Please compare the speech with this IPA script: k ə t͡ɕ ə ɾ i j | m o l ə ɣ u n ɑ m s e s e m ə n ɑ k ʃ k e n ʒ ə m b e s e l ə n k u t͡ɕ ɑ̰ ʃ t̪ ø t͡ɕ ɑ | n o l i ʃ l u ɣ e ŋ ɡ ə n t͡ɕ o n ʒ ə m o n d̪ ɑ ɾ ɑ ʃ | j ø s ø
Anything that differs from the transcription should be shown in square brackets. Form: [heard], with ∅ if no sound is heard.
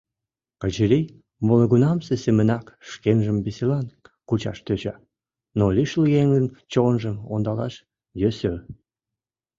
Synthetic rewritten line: k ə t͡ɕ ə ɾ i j | m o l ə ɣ u n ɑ m s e s e m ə n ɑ k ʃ k e n ʒ ə m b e s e l [ɑ] n k u t͡ɕ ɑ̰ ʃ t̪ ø t͡ɕ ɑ | n o l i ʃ l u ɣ e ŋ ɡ ə n t͡ɕ o n ʒ ə m o n d̪ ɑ [l] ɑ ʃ | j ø s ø